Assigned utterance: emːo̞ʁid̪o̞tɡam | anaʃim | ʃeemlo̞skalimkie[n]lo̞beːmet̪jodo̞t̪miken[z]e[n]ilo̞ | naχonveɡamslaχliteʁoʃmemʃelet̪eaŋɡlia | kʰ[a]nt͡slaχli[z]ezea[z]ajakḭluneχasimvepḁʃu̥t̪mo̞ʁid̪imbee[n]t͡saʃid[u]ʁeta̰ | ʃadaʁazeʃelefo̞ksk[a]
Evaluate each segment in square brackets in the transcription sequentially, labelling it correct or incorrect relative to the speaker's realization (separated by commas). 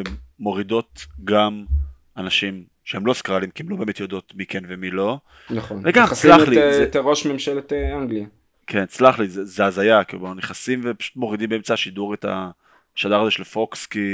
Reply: incorrect, incorrect, incorrect, incorrect, correct, correct, incorrect, correct, incorrect